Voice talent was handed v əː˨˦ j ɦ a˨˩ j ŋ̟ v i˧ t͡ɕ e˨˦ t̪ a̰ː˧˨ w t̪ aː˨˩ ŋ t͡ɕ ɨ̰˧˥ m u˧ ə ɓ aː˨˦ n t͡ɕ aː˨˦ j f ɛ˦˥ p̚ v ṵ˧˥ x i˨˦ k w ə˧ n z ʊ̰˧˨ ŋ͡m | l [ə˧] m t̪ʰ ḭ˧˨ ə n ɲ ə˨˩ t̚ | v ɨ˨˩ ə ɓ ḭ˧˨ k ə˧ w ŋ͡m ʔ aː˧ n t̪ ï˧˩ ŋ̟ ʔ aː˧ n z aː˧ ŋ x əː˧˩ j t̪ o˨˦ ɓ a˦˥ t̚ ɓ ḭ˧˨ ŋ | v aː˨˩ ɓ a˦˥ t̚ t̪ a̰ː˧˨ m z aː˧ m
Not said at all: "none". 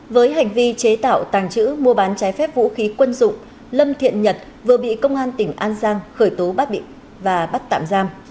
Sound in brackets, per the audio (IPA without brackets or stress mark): ə˧